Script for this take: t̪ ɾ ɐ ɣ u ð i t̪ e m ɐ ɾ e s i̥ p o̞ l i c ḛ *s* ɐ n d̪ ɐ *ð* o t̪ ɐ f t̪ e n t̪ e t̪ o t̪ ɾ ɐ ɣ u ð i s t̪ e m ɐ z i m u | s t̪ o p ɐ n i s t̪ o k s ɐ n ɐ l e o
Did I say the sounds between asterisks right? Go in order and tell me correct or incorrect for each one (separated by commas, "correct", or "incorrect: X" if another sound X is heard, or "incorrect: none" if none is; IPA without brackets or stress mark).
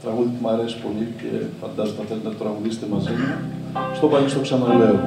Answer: incorrect: f, incorrect: z